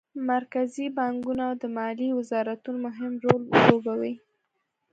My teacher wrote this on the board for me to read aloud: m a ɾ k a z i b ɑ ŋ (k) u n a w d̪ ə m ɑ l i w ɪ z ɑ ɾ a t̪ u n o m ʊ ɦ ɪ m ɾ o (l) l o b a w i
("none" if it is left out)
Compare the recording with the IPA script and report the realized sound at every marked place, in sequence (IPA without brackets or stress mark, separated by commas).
ɡ, l